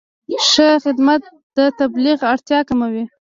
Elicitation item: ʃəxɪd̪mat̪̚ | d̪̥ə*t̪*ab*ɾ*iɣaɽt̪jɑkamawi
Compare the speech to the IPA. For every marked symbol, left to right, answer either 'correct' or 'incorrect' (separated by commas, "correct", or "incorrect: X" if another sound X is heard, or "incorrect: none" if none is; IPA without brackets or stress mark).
correct, incorrect: l